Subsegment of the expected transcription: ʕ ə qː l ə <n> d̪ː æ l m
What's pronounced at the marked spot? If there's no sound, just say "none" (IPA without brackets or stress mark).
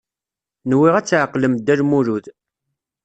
m